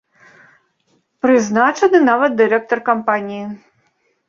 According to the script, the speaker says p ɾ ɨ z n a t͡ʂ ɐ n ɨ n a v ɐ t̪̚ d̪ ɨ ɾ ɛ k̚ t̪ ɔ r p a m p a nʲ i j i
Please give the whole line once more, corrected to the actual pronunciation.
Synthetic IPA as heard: p ɾ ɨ z n a t͡ʂ ɐ n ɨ n a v ɐ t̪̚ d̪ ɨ ɾ ɛ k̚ t̪ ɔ r k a m p a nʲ i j i